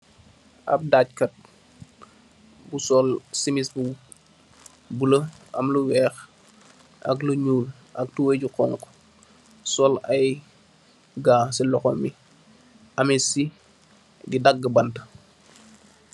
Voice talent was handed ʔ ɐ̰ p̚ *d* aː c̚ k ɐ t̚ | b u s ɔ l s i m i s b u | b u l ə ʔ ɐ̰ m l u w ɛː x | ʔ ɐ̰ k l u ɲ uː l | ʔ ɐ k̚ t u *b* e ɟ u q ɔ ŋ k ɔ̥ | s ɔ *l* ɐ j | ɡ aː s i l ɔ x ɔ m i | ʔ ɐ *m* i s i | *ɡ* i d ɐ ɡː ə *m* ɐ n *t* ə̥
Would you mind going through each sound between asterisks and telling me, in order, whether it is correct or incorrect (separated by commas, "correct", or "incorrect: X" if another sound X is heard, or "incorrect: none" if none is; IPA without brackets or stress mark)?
correct, incorrect: w, correct, correct, correct, incorrect: b, correct